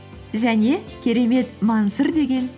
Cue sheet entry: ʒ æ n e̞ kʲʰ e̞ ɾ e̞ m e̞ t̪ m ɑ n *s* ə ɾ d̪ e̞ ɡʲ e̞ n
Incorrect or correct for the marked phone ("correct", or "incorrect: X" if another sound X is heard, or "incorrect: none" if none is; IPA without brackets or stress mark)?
correct